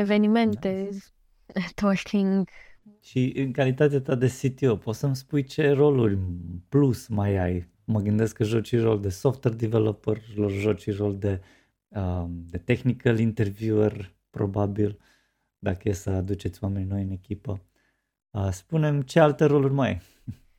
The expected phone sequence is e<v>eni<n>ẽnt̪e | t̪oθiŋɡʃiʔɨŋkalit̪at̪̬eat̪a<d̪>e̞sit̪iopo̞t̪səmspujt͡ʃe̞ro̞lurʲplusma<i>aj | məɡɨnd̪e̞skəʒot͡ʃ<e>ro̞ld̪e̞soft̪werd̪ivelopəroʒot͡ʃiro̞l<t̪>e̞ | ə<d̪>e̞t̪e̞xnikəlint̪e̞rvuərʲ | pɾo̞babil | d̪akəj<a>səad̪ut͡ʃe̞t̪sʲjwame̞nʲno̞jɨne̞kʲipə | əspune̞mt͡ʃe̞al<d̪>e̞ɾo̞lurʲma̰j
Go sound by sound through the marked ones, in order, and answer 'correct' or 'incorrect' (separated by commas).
correct, incorrect, correct, incorrect, incorrect, incorrect, correct, incorrect, incorrect